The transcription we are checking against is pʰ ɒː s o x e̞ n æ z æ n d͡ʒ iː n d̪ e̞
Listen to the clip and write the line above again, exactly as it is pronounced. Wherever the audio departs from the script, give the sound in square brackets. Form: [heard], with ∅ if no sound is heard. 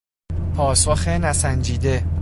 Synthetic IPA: pʰ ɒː s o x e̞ n æ [s] æ n d͡ʒ iː [∅] d̪ e̞